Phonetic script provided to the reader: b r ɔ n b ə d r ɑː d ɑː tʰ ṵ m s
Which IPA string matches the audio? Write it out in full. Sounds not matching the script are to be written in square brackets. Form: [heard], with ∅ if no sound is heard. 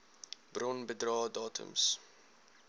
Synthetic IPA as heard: b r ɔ n b ə d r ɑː d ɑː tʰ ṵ m s